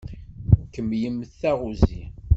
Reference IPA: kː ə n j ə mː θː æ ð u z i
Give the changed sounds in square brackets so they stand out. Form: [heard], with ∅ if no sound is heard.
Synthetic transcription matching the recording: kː ə [m] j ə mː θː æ [ʁ] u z i